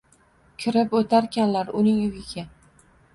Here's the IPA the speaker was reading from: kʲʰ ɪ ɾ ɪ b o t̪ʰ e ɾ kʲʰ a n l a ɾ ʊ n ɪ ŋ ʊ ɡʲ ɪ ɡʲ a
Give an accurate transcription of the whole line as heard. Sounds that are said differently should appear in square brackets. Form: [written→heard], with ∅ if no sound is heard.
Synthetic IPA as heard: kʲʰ ɪ ɾ ɪ [b→p] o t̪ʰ [e→a] ɾ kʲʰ a n l a ɾ ʊ n ɪ ŋ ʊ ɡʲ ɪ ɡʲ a